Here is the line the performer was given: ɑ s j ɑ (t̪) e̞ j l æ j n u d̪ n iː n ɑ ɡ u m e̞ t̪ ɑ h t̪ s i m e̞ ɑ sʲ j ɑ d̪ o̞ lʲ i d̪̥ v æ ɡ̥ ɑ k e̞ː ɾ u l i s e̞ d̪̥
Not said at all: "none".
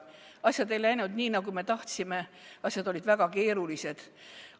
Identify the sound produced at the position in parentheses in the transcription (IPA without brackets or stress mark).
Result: d̪